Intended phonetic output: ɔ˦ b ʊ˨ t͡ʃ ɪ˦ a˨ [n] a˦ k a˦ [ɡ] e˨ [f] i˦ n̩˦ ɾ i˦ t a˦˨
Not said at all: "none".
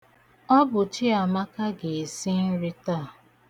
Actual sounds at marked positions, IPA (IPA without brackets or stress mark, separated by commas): m, ɡ, s